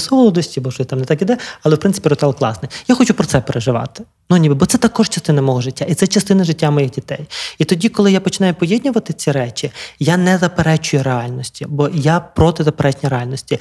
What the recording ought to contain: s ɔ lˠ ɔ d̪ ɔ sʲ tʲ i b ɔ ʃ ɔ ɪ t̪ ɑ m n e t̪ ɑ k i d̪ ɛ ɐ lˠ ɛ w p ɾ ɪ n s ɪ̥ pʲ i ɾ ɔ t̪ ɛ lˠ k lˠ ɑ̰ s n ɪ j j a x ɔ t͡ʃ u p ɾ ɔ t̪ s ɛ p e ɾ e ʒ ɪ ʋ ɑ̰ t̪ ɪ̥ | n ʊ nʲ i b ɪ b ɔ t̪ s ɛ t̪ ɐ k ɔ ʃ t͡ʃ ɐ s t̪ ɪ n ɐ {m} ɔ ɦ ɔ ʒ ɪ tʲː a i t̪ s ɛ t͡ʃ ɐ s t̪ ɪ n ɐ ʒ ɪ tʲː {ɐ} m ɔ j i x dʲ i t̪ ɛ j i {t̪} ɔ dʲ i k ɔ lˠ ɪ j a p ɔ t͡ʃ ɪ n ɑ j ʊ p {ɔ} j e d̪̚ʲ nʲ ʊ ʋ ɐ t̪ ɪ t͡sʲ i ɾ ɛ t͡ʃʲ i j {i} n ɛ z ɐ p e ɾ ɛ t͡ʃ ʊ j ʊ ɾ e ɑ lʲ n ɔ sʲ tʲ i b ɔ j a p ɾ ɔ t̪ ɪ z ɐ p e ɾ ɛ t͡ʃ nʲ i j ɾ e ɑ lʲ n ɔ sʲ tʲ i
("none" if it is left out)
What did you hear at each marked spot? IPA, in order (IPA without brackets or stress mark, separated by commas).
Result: m, a, t̪, ɔ, a